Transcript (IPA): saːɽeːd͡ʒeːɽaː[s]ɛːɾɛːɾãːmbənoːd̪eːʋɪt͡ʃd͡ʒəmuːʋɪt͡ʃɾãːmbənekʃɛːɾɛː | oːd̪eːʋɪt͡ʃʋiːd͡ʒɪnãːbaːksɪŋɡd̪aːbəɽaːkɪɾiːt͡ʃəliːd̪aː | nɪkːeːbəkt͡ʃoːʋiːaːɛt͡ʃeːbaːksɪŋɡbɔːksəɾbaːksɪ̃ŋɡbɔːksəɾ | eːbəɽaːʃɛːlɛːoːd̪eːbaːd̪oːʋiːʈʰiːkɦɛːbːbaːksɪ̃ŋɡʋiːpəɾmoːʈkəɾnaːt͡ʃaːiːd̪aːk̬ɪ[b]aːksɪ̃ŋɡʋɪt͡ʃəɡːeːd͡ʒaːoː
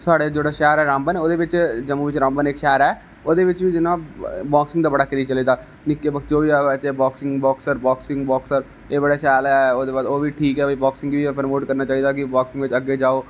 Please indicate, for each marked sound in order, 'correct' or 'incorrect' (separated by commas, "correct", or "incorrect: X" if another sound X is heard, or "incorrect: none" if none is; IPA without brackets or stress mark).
incorrect: ʃ, correct